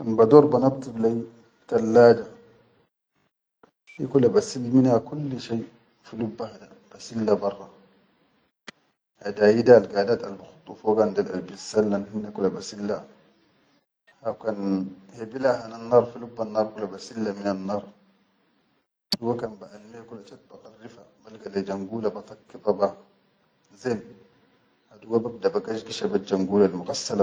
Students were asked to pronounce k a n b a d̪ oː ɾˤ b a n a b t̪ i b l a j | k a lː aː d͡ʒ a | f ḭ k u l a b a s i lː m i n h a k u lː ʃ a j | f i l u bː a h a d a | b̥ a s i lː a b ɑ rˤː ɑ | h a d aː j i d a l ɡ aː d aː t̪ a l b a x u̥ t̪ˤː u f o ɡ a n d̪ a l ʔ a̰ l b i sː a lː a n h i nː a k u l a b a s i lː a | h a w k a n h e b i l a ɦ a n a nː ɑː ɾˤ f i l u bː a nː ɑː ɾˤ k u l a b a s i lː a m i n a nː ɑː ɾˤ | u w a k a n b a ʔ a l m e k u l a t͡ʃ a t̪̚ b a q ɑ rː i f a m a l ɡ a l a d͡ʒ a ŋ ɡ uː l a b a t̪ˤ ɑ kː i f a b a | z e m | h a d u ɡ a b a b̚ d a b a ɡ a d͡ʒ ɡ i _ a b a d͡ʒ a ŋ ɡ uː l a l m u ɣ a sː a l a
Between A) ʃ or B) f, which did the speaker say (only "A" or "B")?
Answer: A